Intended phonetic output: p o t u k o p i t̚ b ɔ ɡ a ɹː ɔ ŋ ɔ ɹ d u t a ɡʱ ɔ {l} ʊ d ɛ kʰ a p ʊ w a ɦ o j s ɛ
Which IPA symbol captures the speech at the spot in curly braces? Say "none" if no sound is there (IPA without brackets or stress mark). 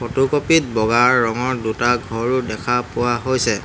ɹ